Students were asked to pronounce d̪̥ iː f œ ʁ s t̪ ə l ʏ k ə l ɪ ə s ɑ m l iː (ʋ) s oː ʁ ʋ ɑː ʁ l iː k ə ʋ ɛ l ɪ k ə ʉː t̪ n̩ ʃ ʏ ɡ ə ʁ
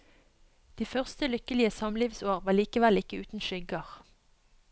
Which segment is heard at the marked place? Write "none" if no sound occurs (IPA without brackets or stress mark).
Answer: ʋ